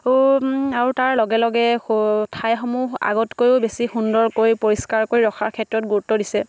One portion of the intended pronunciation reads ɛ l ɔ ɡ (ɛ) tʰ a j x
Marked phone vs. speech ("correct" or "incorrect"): correct